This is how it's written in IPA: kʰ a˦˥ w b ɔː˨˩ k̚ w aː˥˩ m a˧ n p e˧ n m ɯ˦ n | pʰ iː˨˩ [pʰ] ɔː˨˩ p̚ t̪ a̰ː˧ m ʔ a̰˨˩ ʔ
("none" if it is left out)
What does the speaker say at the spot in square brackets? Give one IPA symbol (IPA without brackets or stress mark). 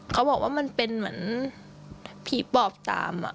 p